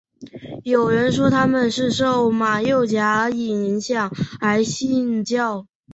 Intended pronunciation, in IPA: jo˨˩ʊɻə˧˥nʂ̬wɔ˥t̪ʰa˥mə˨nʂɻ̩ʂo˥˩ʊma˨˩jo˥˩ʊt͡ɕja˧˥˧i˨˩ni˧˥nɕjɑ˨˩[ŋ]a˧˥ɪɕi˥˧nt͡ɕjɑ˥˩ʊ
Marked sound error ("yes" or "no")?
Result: no